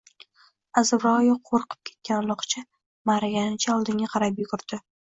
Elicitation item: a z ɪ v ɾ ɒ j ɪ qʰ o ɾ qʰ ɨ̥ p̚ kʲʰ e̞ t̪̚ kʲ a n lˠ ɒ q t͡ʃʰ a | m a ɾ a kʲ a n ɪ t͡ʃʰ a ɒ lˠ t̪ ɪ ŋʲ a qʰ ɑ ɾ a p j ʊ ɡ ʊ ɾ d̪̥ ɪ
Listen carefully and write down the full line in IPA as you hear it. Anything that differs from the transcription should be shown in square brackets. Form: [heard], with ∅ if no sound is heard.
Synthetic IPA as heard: a z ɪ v ɾ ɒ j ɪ qʰ o ɾ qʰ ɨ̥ p̚ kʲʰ e̞ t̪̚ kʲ a n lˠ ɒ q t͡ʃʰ a | m a ɾ a [ɡʲ] a n ɪ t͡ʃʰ a ɒ lˠ [d̪] ɪ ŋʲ a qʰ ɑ ɾ a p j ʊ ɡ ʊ ɾ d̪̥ ɪ